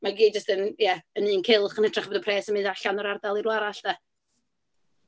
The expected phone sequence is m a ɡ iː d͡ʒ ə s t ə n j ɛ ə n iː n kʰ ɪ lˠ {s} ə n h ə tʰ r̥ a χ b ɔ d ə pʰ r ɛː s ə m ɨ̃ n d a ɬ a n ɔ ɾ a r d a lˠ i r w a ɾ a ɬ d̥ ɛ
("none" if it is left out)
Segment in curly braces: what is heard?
χ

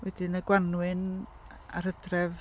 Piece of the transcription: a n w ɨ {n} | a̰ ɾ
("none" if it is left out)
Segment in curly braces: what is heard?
n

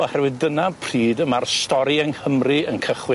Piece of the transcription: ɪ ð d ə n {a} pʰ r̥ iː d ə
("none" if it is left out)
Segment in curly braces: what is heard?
a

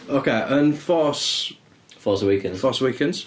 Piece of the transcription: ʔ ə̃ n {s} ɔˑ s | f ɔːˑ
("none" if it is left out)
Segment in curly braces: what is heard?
f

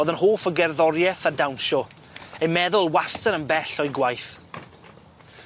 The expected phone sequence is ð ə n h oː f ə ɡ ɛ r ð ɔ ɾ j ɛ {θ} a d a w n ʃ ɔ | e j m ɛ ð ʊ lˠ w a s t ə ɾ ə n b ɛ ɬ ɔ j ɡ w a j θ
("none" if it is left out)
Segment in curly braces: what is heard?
θ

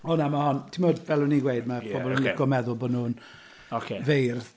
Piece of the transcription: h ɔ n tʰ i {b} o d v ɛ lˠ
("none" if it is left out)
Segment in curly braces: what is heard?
m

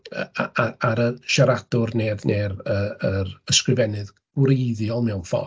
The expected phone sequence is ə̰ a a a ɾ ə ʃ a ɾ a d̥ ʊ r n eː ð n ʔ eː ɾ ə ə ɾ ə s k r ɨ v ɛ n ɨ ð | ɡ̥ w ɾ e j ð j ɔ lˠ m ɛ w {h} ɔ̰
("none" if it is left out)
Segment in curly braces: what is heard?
f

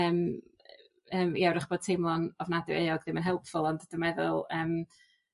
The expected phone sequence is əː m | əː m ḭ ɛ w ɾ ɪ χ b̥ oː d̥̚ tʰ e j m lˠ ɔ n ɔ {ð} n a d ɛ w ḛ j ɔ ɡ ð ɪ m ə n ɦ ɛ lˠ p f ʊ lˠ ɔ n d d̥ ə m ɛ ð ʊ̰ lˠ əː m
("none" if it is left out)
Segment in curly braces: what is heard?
v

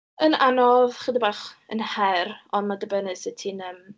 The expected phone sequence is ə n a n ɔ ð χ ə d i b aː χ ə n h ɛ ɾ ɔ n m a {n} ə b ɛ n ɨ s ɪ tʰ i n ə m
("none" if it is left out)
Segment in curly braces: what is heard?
d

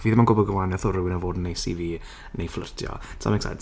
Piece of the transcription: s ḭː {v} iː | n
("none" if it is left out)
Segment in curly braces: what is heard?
v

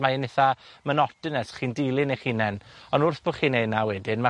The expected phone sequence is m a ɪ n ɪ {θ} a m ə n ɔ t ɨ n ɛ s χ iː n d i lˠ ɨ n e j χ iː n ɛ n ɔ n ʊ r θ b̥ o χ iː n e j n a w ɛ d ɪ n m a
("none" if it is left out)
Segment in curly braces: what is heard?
θ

